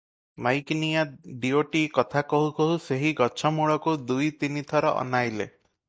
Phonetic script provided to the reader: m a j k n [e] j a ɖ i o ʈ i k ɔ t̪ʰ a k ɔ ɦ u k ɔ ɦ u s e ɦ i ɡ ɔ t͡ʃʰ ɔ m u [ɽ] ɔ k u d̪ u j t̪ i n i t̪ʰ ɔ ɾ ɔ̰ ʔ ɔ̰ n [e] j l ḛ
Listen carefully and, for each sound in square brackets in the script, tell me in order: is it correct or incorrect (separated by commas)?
incorrect, incorrect, incorrect